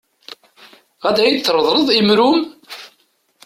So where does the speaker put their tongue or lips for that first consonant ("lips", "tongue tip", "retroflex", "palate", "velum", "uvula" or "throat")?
uvula